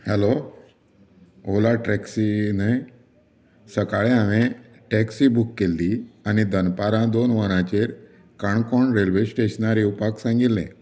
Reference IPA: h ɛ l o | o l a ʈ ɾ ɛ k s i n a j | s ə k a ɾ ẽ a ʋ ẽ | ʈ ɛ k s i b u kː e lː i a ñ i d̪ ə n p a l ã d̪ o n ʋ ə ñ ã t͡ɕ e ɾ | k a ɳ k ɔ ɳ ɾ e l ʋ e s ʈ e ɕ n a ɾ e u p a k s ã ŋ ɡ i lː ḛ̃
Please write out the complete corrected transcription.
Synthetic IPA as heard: h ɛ l o | o l a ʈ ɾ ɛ k s i n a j | s ə k a ɭ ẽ a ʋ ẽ | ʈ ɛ k s i b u kː e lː i a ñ i d̪ ə n p a ɾ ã d̪ o n ʋ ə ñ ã t͡ɕ e ɾ | k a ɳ k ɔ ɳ ɾ e l ʋ e s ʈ e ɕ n a ɾ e u p a k s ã ŋ ɡ i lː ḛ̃

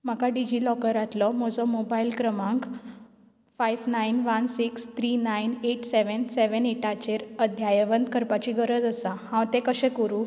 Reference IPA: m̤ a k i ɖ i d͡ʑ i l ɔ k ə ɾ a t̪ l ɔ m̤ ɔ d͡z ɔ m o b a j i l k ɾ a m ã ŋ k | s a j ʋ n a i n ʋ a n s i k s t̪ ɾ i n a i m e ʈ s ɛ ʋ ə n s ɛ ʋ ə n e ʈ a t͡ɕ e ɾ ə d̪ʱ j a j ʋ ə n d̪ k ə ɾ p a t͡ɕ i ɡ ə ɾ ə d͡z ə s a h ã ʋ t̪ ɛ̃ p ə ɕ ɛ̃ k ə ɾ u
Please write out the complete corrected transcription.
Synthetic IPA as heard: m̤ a k a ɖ i d͡ʑ i l ɔ k ə ɾ a t̪ l ɔ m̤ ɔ d͡z ɔ m o b a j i l k ɾ ə m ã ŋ k | f a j ʋ n a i n ʋ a n s i k s t̪ ɾ i n a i n e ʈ s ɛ ʋ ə n s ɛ ʋ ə n e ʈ a t͡ɕ e ɾ ə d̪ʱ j a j ʋ ə n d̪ k ə ɾ p a t͡ɕ i ɡ ə ɾ ə d͡z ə s a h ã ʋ t̪ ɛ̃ k ə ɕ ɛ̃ k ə ɾ u

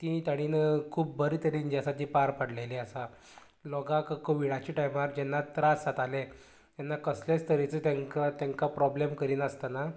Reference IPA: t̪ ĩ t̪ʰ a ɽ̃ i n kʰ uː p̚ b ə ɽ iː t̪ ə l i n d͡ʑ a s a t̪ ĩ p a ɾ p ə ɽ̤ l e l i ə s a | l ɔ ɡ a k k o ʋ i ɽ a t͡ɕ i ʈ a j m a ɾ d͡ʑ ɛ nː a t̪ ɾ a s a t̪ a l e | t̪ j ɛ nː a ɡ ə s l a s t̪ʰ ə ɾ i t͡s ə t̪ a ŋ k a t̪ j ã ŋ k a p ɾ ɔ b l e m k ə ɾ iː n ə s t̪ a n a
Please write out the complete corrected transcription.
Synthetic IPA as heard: t̪ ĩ t̪ a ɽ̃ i n kʰ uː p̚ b ə ɾ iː t̪ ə ɾ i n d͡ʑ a s a t̪ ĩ p a ɾ p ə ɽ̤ l e l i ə s a | l ɔ ɡ a k k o ʋ i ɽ a t͡ɕ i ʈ a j m a ɾ d͡ʑ ɛ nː a t̪ ɾ a s a t̪ a l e | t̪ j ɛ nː a k ə s l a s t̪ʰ ə ɾ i t͡s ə t̪ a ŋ k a t̪ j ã ŋ k a p ɾ ɔ b l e m k ə ɾ iː n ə s t̪ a n a

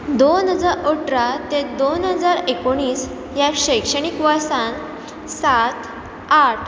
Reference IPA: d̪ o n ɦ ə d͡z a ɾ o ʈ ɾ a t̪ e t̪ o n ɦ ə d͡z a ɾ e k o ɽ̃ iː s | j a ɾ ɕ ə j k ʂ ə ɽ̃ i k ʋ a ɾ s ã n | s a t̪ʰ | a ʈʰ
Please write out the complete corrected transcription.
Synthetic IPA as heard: d̪ o n ɦ ə d͡z a ɾ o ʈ ɾ a t̪ e d̪ o n ɦ ə d͡z a ɾ e k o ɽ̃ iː s | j a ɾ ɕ ə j k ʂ ə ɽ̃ i k ʋ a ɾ s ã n | s a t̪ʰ | a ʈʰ

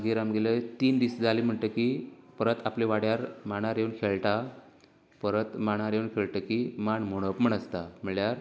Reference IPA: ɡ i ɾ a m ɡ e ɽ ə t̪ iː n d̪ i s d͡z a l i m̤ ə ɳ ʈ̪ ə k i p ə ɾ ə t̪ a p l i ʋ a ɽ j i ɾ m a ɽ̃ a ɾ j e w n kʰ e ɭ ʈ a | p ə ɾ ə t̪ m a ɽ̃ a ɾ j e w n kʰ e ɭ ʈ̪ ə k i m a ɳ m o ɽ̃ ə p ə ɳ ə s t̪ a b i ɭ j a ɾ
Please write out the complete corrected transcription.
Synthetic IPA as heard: ɡ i ɾ a m ɡ e l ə t̪ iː n d̪ i s d͡z a l i m̤ ə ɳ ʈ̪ ə k i p ə ɾ ə t̪ a p l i ʋ a ɽ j a ɾ m a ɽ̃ a ɾ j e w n kʰ e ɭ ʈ a | p ə ɾ ə t̪ m a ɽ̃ a ɾ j e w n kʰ e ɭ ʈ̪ ə k i m a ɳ m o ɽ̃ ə p ə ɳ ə s t̪ a m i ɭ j a ɾ

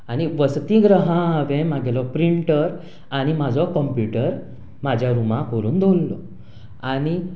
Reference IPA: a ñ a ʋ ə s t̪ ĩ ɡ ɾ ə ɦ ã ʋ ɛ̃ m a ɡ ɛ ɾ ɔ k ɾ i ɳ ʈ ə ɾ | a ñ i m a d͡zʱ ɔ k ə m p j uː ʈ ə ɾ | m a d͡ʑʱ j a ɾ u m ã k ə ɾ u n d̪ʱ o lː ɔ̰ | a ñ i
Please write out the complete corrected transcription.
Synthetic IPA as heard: a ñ i ʋ ə s t̪ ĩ ɡ ɾ ə ɦ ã ʋ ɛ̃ m a ɡ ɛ l ɔ p ɾ i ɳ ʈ ə ɾ | a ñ i m a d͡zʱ ɔ k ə m p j u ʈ ə ɾ | m a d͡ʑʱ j a ɾ u m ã k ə ɾ uː n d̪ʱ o lː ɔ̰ | a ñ i

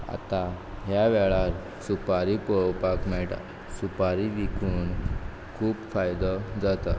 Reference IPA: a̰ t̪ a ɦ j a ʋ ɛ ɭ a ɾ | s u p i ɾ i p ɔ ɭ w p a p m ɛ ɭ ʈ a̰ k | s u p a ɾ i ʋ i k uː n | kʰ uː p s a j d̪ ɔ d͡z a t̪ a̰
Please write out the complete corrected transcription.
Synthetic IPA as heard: a̰ t̪ a ɦ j a ʋ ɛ ɭ a ɾ | s u p a ɾ i p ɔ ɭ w p a k m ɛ ɭ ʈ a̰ | s u p a ɾ i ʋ i k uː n | kʰ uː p f a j d̪ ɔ d͡z a t̪ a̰

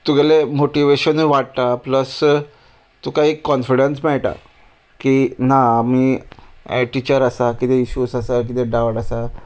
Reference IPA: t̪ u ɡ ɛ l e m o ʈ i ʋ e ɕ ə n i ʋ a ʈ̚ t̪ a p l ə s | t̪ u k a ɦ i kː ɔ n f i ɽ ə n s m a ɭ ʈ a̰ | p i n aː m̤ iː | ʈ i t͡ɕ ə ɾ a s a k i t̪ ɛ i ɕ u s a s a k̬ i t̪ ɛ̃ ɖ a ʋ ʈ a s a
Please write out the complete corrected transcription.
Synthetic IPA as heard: t̪ u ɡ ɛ l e m o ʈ i ʋ e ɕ ə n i ʋ a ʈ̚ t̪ a p l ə s | t̪ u k a ɦ i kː ɔ n f i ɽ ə n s m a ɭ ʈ a̰ | k i n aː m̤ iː | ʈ i t͡ɕ ə ɾ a s a k i t̪ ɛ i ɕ u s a s a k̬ i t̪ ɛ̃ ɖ a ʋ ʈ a s a

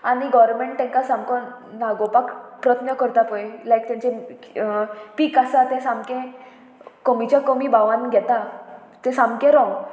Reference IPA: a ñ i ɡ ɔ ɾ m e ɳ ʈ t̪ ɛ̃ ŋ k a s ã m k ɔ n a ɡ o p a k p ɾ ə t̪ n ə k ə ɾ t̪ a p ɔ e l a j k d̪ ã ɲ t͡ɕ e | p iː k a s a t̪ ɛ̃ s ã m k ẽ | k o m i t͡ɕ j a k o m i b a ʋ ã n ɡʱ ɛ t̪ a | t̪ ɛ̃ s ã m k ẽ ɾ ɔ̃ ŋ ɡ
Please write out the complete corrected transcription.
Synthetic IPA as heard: a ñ i ɡ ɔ ɾ m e ɳ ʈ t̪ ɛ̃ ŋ k a s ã m k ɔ n a ɡ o p a k p ɾ ə t̪ n ə k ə ɾ t̪ a p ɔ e l a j k t̪ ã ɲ t͡ɕ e | p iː k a s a t̪ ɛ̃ s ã m k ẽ | k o m i t͡ɕ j a k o m i b a ʋ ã n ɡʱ ɛ t̪ a | t̪ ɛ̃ s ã m k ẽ ɾ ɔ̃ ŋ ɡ

